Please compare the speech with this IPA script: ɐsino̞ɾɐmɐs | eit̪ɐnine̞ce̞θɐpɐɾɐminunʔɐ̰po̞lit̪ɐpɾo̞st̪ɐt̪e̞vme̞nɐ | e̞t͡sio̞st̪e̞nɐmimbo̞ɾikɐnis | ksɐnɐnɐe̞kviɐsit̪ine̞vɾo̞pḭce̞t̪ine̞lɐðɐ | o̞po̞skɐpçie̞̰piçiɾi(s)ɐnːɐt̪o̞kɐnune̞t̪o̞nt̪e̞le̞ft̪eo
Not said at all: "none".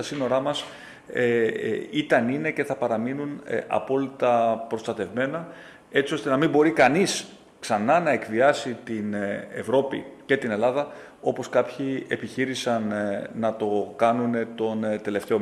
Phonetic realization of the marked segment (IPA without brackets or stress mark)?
s